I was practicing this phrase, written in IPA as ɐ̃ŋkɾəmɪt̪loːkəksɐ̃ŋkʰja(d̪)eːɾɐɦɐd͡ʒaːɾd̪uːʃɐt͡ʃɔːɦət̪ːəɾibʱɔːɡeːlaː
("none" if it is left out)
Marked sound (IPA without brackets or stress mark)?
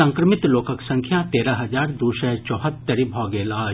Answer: t̪